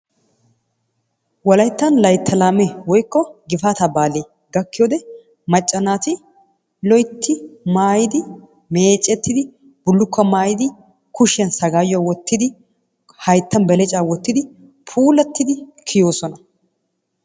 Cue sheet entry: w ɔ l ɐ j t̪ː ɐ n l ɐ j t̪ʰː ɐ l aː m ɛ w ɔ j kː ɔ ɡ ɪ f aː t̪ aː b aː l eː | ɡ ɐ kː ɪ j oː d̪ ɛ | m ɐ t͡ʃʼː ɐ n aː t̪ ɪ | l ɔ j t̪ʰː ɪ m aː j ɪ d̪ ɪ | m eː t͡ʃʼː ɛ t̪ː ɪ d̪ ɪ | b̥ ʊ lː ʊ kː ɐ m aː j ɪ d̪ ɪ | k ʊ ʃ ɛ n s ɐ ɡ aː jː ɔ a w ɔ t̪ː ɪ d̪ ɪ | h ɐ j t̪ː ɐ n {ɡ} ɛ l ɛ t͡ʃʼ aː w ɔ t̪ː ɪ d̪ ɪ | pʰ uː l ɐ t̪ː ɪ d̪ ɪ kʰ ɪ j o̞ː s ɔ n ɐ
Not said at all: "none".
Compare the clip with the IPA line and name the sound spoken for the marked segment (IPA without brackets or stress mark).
b